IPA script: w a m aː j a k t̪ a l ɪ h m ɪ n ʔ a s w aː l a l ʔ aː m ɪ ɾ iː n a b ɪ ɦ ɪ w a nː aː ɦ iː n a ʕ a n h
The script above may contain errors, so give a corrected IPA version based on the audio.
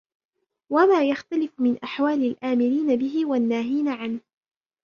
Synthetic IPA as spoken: w a m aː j a x t̪ a l ɪ f m ɪ n ʔ a ħ w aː l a l ʔ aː m ɪ ɾ iː n a b ɪ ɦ ɪ w a nː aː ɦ iː n a ʕ a n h